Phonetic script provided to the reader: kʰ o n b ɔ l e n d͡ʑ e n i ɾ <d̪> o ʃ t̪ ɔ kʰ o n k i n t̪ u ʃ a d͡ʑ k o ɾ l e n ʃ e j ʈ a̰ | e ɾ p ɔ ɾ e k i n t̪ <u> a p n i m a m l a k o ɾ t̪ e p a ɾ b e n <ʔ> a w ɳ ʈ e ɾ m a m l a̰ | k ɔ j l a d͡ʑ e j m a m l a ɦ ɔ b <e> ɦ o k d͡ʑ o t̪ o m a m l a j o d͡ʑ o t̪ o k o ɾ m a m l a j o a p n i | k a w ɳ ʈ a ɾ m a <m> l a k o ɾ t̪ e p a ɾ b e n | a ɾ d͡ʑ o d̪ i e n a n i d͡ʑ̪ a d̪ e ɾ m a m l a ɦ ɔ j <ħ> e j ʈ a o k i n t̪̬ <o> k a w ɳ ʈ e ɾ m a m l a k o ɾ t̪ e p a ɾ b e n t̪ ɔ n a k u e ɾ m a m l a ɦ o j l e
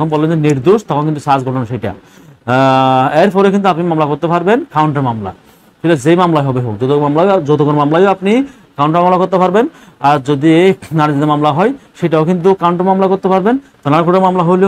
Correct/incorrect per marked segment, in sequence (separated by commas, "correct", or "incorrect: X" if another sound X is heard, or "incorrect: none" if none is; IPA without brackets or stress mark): correct, correct, incorrect: k, correct, correct, incorrect: ʃ, incorrect: u